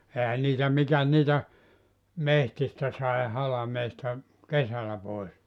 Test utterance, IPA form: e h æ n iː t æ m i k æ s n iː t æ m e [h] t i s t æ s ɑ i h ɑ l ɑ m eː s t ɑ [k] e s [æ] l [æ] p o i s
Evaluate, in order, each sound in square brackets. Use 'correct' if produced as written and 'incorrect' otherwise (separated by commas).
correct, correct, correct, correct